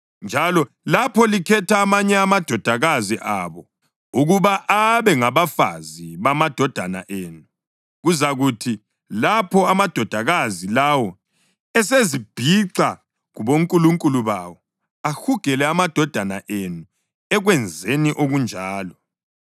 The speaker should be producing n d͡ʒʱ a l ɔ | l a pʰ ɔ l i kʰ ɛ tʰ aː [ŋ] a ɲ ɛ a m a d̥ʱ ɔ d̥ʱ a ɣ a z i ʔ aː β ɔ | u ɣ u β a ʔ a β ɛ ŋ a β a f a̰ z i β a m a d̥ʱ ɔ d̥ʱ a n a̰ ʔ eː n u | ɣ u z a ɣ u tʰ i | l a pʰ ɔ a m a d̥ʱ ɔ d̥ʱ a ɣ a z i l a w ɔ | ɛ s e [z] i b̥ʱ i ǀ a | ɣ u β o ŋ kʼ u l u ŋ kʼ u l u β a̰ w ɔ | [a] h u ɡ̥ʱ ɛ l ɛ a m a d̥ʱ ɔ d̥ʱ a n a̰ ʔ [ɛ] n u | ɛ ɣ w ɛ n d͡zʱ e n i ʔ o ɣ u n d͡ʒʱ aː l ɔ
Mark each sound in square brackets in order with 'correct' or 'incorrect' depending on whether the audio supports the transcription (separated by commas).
incorrect, correct, correct, incorrect